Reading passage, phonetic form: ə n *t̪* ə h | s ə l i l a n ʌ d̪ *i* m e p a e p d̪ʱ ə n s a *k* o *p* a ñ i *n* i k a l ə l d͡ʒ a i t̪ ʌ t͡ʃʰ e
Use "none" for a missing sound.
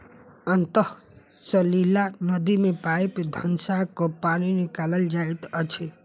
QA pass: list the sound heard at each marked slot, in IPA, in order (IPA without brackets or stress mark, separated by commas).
t̪, i, k, p, n